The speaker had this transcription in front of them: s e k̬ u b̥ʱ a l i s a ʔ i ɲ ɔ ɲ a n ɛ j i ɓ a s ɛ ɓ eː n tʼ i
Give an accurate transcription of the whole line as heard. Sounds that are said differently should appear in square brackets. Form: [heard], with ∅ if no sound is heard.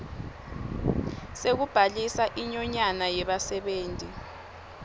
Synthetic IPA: s e k̬ u b̥ʱ a l i s a ʔ i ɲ ɔ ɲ a n [a] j [ɛ] ɓ a s ɛ ɓ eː n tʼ i